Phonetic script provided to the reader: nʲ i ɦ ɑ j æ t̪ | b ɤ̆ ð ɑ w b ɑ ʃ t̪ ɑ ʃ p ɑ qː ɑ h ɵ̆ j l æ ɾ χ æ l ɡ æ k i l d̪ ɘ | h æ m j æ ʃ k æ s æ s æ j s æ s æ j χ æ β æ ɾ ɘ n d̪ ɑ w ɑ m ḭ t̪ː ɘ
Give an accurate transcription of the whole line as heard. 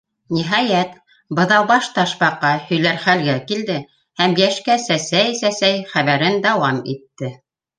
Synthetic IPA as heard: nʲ i ɦ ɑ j æ t̪ | b ɤ̆ ð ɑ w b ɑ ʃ t̪ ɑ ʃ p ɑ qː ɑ h ɵ̆ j l æ ɾ χ æ l ɡ æ k i l d̪ ɘ | h æ m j æ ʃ k æ s æ s æ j s æ s æ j χ æ β æ ɾ ɘ n d̪ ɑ w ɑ m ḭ t̪ː ɘ